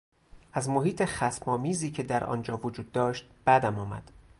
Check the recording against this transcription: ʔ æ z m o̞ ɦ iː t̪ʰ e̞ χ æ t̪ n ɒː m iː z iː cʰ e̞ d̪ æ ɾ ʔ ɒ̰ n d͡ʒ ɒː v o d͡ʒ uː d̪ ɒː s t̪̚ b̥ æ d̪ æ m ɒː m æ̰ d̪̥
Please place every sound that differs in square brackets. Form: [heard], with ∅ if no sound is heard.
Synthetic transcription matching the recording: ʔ æ z m o̞ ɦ iː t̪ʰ e̞ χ æ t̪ [m] ɒː m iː z iː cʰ e̞ d̪ æ ɾ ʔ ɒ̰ n d͡ʒ ɒː v o d͡ʒ uː [d̪ː] ɒː [ʃ] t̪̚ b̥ æ d̪ æ m ɒː m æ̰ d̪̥